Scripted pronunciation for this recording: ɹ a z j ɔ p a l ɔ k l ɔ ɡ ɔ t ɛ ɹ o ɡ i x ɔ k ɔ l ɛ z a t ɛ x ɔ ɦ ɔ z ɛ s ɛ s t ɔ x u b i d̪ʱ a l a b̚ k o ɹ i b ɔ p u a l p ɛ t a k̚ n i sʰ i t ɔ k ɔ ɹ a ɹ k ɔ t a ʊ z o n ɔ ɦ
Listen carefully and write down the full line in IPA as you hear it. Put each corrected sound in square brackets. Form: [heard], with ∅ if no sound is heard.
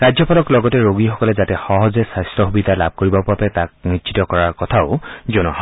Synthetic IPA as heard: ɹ a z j ɔ p a l ɔ k l ɔ ɡ ɔ t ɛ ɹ o ɡ i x ɔ k ɔ l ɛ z a t ɛ x ɔ ɦ ɔ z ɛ s [a] s t ɔ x u b i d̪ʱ a l a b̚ k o ɹ i b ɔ p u a [∅] p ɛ t a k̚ n i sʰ i t ɔ k ɔ ɹ a ɹ k ɔ [tʰ] a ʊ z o n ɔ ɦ